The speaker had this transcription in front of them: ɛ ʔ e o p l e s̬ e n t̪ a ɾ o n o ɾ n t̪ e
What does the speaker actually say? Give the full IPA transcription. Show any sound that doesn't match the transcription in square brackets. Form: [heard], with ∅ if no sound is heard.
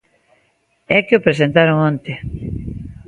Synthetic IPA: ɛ [k] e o p [ɾ] e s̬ e n t̪ a ɾ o [ŋ] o [∅] n t̪ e

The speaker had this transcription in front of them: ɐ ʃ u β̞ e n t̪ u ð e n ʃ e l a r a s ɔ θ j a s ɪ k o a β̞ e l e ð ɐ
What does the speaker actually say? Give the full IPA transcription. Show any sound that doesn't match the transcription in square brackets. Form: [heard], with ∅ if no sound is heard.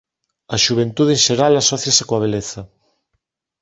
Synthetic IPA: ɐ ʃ u β̞ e n t̪ u ð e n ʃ e [ɾ] a [l] a s ɔ θ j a s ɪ k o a β̞ e l e [θ] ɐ

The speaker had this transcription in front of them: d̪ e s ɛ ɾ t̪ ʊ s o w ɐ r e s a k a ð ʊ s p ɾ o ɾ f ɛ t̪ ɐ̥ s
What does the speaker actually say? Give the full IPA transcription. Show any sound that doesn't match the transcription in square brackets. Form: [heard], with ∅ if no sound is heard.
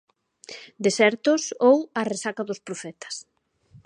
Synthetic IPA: d̪ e s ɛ ɾ t̪ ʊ s o w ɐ r e s a k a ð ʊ s p ɾ o [∅] f ɛ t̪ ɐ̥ s

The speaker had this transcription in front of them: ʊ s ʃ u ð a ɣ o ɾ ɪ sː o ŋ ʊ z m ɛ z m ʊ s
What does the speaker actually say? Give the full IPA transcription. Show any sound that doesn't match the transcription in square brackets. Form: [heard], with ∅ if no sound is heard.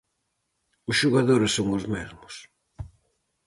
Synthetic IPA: ʊ s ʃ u [ɣ] a [ð] o ɾ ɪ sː o ŋ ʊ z m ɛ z m ʊ s

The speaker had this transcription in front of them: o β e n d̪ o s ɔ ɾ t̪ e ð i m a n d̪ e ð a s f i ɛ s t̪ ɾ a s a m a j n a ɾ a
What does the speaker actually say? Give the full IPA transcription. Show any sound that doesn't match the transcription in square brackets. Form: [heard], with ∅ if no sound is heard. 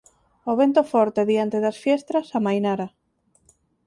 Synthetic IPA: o β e n [t̪] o [f] ɔ ɾ t̪ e ð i [∅] a n [t̪] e ð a s f [j] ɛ s t̪ ɾ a s a m a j n a ɾ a

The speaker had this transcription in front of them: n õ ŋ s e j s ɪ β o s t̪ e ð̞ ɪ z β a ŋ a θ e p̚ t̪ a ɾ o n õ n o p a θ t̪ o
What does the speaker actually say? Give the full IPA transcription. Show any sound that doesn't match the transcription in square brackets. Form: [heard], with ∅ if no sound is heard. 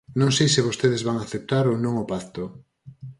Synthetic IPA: n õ ŋ s e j s ɪ β o s t̪ e ð̞ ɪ z β a ŋ a θ e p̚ t̪ a ɾ o n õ [ŋ] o p a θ t̪ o

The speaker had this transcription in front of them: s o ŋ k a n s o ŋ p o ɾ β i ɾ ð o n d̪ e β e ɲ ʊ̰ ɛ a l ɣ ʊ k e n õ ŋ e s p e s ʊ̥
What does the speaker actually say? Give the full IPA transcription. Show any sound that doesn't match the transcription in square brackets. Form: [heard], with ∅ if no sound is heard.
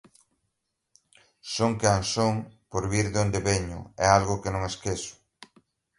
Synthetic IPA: s o ŋ k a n s o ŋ p o ɾ β i ɾ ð o n d̪ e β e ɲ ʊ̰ ɛ a l ɣ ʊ k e n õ ŋ e s [k] e s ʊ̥

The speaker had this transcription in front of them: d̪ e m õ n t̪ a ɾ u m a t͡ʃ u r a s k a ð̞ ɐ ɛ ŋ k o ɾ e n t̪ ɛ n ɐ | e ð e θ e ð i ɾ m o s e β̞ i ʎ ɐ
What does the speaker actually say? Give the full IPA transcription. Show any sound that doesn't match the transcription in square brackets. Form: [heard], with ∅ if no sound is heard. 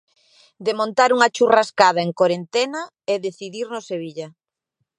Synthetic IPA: d̪ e m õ n t̪ a ɾ u [ŋ] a t͡ʃ u r a s k a ð̞ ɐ [e] ŋ k o ɾ e n t̪ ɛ n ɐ | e ð e θ [i] ð i ɾ [n] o s e β̞ i ʎ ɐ

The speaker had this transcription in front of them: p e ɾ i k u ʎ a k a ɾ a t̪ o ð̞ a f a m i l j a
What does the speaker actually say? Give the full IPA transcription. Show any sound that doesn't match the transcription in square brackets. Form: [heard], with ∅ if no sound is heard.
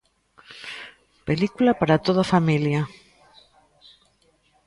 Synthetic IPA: p e [l] i k u [l] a [p] a ɾ a t̪ o ð̞ a f a m i l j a

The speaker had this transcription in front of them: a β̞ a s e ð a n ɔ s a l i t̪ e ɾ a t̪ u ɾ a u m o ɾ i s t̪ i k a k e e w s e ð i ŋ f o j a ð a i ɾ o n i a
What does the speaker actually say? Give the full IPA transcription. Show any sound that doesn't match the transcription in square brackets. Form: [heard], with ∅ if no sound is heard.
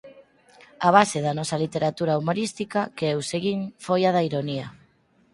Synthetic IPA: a β̞ a s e ð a n ɔ s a l i t̪ e ɾ a t̪ u ɾ a u m o ɾ i s t̪ i k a k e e w s e [ɣ] i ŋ f o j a ð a i ɾ o n i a

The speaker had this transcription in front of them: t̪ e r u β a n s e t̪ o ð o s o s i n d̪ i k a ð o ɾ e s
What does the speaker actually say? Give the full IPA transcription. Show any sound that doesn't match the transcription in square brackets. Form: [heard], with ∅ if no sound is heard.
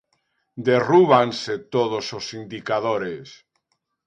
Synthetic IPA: [d̪] e r u β a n s e t̪ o ð o s o s i n d̪ i k a ð o ɾ e s

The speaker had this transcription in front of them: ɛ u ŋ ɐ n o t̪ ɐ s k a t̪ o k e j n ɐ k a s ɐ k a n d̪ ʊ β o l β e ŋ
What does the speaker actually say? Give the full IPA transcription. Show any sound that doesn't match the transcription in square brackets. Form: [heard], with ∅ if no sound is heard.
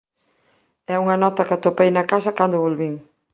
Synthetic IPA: ɛ u ŋ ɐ n [ɔ] t̪ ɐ [∅] k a t̪ o [p] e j n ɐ k a s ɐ k a n d̪ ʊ β o l β [i] ŋ

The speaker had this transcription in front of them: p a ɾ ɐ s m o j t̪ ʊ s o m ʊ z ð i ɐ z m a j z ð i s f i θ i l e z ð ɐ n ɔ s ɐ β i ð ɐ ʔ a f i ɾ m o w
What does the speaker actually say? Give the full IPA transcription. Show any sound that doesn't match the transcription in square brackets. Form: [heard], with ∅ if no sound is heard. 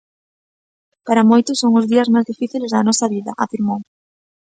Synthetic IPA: p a ɾ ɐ [∅] m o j t̪ ʊ s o [ŋ] ʊ z ð i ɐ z m a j z ð i [∅] f i θ i l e z ð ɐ n ɔ s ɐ β i ð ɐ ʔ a f i ɾ m o w

